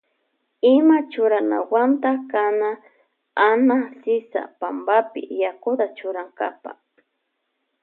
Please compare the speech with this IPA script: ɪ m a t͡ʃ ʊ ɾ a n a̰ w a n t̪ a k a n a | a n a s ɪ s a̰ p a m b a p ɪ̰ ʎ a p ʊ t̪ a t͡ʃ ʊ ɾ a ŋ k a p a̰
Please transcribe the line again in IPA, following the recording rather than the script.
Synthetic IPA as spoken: ɪ m a t͡ʃ ʊ ɾ a n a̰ w a n t̪ a k a n a | a n a s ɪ s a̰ p a m b a p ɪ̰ j a k ʊ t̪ a t͡ʃ ʊ ɾ a ŋ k a p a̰